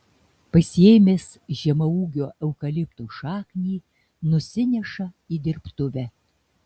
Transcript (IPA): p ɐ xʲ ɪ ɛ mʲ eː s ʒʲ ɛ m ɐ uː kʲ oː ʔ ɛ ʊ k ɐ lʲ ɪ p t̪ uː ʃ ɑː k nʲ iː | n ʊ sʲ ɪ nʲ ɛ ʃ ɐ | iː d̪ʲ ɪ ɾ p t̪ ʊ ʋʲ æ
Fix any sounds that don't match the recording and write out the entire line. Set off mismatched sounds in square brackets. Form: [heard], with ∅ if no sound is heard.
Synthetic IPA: p ɐ [sʲ] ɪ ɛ mʲ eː s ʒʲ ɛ m ɐ uː [ɡʲ] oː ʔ ɛ ʊ k ɐ lʲ ɪ p t̪ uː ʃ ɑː k nʲ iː | n ʊ sʲ ɪ nʲ ɛ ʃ ɐ | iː d̪ʲ ɪ ɾ p t̪ ʊ ʋʲ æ

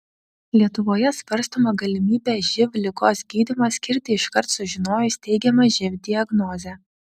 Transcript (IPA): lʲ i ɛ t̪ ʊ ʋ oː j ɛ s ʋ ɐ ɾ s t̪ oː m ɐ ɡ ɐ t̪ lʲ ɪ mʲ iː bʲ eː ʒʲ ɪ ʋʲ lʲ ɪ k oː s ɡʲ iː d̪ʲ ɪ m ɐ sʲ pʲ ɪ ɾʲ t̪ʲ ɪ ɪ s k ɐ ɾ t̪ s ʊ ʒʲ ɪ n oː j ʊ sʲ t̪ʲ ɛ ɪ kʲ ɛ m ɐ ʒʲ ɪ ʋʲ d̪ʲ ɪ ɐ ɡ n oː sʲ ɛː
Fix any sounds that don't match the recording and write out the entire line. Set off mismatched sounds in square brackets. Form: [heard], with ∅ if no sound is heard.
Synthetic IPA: lʲ i ɛ t̪ ʊ ʋ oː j ɛ s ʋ ɐ ɾ s t̪ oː m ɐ ɡ ɐ [∅] lʲ ɪ mʲ iː bʲ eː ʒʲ ɪ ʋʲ lʲ ɪ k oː s ɡʲ iː d̪ʲ ɪ m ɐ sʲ [kʲ] ɪ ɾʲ t̪ʲ ɪ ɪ [ʃ] k ɐ ɾ t̪ s ʊ ʒʲ ɪ n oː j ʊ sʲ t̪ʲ ɛ ɪ [ɡʲ] ɛ m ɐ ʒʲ ɪ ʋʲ d̪ʲ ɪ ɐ ɡ n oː [zʲ] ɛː

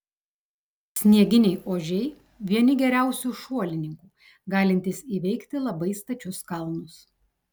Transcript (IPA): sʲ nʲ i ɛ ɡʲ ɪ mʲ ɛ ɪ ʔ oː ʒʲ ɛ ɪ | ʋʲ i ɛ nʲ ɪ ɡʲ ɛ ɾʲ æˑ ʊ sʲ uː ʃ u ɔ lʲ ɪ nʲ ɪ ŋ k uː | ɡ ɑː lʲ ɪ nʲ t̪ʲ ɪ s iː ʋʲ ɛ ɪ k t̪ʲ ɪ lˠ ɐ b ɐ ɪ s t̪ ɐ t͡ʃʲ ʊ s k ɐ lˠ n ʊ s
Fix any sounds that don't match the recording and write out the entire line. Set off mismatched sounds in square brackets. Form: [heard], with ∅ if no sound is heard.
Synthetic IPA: sʲ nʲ i ɛ ɡʲ ɪ [nʲ] ɛ ɪ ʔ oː ʒʲ ɛ ɪ | ʋʲ i ɛ nʲ ɪ ɡʲ ɛ ɾʲ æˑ ʊ sʲ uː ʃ u ɔ lʲ ɪ nʲ ɪ ŋ k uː | ɡ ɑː lʲ ɪ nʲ t̪ʲ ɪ s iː ʋʲ ɛ ɪ k t̪ʲ ɪ lˠ ɐ b ɐ ɪ s t̪ ɐ t͡ʃʲ ʊ s k ɐ lˠ n ʊ s

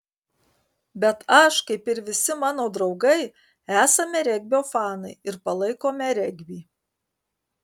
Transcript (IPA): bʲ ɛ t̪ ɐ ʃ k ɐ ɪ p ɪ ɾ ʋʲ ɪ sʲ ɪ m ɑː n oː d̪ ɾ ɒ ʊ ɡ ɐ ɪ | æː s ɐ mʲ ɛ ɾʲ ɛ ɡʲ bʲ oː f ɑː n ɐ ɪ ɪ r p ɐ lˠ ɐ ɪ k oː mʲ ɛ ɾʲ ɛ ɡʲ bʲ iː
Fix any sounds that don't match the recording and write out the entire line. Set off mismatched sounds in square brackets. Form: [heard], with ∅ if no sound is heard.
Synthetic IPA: bʲ ɛ t̪ ɐ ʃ k ɐ ɪ p ɪ ɾ ʋʲ ɪ sʲ ɪ m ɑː n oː d̪ ɾ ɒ ʊ ɡ ɐ ɪ | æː s ɐ mʲ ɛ ɾʲ ɛ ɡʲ bʲ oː f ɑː n ɐ ɪ ɪ [ɾ] p ɐ lˠ ɐ ɪ k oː mʲ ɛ ɾʲ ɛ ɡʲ bʲ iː

